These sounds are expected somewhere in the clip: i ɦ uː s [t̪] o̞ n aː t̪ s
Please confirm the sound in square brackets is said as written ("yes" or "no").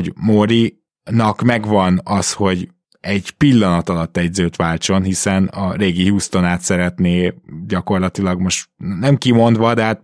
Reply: yes